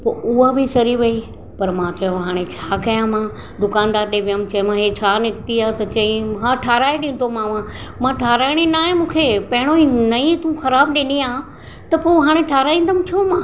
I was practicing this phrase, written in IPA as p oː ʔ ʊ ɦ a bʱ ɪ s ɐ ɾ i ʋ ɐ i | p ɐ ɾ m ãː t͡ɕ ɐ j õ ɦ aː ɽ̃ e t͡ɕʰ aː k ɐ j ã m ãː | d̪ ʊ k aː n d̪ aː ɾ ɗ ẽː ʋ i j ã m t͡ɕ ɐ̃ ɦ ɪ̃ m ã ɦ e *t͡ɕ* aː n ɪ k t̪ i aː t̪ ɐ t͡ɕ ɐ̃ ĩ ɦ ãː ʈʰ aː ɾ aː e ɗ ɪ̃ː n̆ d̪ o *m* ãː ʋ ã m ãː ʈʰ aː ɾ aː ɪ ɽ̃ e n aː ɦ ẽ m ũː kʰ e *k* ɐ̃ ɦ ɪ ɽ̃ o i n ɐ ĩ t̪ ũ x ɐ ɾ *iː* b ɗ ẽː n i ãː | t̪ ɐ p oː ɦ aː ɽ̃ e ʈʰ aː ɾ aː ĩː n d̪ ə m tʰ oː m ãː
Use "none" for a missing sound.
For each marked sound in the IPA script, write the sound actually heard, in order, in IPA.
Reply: t͡ɕʰ, m, p, aː

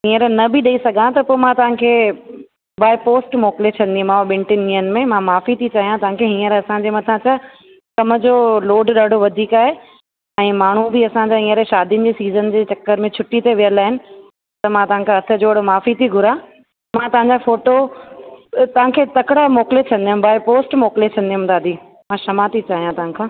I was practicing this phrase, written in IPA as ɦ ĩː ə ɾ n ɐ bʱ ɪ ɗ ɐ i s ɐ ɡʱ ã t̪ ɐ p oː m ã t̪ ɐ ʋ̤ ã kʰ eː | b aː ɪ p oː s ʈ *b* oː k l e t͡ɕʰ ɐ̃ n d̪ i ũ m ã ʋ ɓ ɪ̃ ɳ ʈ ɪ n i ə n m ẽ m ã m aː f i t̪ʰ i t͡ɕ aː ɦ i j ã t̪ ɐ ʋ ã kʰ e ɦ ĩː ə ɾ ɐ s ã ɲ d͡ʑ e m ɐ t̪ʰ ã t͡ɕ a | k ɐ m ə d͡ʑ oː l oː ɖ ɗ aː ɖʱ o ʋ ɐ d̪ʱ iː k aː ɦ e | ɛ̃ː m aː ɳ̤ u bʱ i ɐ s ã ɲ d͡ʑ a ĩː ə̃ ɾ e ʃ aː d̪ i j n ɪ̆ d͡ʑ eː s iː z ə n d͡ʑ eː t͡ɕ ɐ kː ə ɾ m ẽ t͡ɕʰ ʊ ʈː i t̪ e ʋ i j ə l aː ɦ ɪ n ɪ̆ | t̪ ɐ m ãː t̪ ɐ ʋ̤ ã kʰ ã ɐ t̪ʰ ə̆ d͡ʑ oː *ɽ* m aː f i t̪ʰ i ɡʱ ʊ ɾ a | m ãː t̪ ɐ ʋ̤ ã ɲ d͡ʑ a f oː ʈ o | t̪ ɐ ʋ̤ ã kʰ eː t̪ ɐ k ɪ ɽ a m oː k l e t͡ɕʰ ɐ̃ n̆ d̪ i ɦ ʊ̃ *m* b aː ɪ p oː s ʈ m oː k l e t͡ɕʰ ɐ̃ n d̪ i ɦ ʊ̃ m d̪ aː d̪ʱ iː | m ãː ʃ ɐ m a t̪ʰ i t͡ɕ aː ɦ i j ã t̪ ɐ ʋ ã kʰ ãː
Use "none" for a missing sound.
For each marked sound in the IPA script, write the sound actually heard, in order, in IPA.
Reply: m, ɽ, m

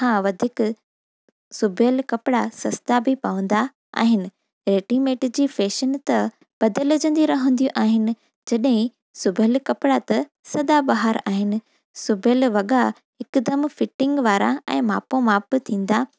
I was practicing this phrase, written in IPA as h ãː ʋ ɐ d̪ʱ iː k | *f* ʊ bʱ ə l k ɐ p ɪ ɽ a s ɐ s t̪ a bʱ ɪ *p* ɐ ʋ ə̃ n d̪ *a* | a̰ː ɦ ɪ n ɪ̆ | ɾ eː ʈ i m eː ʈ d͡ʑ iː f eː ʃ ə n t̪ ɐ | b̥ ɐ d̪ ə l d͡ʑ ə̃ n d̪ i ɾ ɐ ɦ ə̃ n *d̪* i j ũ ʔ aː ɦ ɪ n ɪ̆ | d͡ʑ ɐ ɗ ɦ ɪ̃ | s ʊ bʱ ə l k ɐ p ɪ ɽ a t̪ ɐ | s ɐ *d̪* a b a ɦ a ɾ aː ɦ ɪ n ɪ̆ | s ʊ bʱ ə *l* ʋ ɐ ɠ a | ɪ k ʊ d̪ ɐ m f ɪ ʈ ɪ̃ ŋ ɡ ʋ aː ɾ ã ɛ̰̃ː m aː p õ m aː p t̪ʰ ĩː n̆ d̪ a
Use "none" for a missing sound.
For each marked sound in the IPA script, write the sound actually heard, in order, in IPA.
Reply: s, p, a, d̪, d̪, l

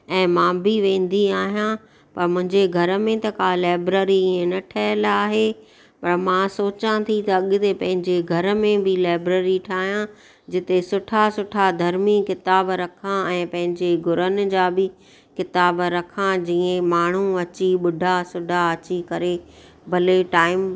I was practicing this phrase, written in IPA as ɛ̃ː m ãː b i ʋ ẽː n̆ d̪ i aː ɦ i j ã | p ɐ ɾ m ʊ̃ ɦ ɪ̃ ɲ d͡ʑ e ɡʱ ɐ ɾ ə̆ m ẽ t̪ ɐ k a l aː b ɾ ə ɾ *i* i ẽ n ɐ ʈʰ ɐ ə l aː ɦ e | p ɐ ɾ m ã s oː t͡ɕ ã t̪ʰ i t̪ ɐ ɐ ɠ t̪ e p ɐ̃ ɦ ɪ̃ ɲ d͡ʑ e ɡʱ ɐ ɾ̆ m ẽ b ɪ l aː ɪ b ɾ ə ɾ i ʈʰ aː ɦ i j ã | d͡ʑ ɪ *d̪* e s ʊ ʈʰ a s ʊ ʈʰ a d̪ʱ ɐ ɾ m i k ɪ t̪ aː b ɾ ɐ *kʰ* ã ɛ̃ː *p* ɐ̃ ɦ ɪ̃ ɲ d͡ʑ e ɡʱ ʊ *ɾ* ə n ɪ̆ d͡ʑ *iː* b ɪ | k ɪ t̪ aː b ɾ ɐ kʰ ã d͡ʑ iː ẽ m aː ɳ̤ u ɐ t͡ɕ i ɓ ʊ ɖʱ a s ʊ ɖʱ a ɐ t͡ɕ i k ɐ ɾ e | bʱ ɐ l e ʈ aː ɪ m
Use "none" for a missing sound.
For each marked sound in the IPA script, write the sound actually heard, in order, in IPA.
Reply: i, t̪, kʰ, p, ɾ, aː

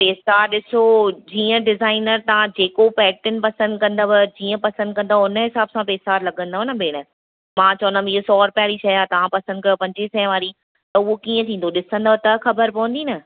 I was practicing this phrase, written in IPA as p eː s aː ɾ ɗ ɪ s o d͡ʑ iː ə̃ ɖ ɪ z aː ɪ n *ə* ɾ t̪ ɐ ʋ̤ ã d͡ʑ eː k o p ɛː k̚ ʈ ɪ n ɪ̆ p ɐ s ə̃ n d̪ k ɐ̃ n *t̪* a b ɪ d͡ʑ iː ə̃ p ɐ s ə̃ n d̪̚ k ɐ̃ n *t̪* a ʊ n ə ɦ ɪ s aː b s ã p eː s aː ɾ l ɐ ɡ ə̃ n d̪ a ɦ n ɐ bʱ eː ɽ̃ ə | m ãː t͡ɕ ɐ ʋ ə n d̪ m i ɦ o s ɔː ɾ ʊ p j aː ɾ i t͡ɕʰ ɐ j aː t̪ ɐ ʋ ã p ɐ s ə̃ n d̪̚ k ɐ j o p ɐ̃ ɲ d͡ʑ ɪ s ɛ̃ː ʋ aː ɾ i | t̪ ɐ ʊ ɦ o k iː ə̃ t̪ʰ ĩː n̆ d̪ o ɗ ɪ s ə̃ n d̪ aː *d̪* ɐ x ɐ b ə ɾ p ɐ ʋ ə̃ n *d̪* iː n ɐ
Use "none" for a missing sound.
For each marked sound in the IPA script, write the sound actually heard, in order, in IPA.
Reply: ə, d̪, d̪, t̪, d̪

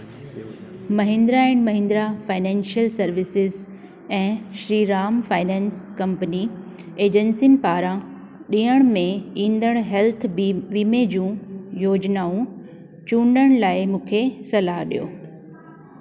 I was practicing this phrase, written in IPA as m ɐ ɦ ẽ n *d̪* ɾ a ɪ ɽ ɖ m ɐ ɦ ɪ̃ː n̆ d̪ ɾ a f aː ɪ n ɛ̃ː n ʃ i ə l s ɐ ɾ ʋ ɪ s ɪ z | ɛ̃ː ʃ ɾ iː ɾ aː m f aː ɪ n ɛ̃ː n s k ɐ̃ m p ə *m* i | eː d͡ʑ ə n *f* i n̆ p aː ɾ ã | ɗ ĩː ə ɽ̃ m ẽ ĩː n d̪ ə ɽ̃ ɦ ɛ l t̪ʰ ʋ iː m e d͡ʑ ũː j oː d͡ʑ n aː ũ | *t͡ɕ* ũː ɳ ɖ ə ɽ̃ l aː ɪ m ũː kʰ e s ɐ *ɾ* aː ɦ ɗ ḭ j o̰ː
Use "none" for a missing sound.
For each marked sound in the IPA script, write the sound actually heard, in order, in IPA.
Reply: d̪, n, s, t͡ɕ, l

